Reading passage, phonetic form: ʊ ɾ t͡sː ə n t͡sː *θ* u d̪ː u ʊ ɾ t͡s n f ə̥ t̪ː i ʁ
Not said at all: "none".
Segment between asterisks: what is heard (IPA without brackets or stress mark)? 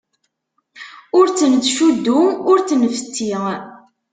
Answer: ʃ